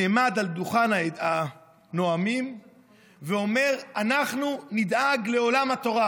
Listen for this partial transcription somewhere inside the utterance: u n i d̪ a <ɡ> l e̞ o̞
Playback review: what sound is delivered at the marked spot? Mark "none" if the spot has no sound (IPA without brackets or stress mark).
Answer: ɡ